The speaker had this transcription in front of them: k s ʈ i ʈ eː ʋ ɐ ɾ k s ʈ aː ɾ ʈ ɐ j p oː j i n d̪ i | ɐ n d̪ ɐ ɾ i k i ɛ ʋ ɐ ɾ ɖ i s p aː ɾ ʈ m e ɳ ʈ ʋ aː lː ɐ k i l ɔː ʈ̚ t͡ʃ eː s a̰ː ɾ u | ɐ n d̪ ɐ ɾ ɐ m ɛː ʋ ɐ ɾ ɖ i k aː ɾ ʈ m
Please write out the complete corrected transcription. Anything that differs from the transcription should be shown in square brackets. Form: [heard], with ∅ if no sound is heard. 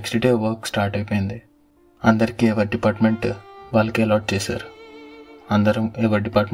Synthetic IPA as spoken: k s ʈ i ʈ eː ʋ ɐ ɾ k s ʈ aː ɾ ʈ ɐ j p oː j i n d̪ i | ɐ n d̪ ɐ ɾ i k i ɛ ʋ ɐ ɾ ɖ i [∅] p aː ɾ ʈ m e ɳ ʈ ʋ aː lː ɐ k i l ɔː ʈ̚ t͡ʃ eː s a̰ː ɾ u | ɐ n d̪ ɐ ɾ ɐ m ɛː ʋ ɐ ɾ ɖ i [p] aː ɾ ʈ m